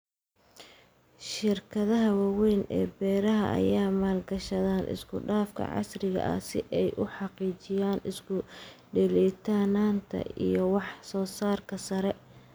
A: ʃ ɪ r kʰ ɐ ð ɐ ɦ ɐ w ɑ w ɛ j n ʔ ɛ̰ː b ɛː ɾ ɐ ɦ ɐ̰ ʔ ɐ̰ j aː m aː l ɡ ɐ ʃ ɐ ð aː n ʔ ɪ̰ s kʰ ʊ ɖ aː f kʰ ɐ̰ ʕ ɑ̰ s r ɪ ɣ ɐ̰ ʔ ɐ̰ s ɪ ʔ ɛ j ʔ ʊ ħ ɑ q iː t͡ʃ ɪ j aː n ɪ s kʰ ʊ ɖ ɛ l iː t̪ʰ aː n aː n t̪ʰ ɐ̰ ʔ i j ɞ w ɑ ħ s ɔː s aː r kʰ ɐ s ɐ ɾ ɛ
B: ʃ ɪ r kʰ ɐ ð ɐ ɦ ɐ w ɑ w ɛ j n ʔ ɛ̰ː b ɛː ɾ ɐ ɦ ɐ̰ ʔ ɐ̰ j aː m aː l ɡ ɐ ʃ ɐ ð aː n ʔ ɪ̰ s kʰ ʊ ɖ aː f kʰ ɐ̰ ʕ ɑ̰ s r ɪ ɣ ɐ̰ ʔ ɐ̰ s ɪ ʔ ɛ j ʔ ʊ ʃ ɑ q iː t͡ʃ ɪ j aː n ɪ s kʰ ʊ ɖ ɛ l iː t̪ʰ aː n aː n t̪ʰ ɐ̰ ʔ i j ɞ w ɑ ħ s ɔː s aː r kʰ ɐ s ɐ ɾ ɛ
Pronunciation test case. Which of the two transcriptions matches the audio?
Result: A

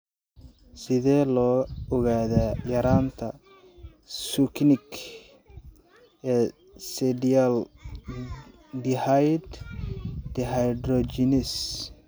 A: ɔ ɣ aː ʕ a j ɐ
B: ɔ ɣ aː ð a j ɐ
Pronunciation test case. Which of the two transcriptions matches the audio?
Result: B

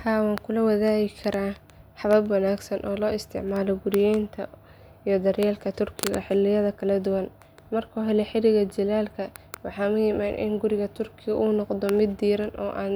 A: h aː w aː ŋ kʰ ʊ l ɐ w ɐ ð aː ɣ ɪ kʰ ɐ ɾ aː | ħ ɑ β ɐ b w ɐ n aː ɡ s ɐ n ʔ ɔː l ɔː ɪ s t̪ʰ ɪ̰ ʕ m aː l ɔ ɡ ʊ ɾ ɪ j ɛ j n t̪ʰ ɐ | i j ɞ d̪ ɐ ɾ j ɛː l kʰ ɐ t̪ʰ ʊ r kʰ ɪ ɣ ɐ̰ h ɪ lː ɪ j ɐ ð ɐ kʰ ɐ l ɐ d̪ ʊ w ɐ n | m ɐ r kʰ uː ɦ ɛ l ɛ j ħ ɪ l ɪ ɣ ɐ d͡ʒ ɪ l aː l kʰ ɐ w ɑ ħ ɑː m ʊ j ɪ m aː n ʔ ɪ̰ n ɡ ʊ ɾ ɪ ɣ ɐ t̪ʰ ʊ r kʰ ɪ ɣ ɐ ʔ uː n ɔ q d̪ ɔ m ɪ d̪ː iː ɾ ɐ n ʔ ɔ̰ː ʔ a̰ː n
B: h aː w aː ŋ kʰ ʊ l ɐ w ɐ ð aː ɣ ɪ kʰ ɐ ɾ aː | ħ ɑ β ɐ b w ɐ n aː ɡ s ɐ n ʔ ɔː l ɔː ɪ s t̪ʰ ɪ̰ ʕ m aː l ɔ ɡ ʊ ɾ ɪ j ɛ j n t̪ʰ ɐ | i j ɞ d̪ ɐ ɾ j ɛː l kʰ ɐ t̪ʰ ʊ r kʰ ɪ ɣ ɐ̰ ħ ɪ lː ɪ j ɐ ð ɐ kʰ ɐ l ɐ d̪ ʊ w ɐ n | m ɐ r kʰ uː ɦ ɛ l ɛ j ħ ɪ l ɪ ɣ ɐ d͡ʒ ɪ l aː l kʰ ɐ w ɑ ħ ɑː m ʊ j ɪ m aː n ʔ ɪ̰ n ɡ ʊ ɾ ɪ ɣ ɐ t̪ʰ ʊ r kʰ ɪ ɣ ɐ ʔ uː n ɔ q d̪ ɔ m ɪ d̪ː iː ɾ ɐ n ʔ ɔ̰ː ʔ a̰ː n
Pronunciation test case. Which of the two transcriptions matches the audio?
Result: B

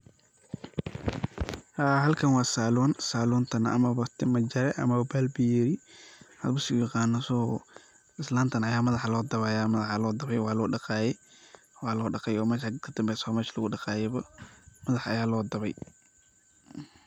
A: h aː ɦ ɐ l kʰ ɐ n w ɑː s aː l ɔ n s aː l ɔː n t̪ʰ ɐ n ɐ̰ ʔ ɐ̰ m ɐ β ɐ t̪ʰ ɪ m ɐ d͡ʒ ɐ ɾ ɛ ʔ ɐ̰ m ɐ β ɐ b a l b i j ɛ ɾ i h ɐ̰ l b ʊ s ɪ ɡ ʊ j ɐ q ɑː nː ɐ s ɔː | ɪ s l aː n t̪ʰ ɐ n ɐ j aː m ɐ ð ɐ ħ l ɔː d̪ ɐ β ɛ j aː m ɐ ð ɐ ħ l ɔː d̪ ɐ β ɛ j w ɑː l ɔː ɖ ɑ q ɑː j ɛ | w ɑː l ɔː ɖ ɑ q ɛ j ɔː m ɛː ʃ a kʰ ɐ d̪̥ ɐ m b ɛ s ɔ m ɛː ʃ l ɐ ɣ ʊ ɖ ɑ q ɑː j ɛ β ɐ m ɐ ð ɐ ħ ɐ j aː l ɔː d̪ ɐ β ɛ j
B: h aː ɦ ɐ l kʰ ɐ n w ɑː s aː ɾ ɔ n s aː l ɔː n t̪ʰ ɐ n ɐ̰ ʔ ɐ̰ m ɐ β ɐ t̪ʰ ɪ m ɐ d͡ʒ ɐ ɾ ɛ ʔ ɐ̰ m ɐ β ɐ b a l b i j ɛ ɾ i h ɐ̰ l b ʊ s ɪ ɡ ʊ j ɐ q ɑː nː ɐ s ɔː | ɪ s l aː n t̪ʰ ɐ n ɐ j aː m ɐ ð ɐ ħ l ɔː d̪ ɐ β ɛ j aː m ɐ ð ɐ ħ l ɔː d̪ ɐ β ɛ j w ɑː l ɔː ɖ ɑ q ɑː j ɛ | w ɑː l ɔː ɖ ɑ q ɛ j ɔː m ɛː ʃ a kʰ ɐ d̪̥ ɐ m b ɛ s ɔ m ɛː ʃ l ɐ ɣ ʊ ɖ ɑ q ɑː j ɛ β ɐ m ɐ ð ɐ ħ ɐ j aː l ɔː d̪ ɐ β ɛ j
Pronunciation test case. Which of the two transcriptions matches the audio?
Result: A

